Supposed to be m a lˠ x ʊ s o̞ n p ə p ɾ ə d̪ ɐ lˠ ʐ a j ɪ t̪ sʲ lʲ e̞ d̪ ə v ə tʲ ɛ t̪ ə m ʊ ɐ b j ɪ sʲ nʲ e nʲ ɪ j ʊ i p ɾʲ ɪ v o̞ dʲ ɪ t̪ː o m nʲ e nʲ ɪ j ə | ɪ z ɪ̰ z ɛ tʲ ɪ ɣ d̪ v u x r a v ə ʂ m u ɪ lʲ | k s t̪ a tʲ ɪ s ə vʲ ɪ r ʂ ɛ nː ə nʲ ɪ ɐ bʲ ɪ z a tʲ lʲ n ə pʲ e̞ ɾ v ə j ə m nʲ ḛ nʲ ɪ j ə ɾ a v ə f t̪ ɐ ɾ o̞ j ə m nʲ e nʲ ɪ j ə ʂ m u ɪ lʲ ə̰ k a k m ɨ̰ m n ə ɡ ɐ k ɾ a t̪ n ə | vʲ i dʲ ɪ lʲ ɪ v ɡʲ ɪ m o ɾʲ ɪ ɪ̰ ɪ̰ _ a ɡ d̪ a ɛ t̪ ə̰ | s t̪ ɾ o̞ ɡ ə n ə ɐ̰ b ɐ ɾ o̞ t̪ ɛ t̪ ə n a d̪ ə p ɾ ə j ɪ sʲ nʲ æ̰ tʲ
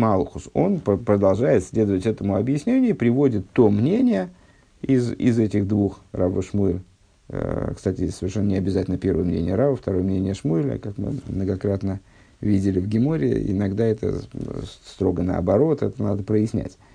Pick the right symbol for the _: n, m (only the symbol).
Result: n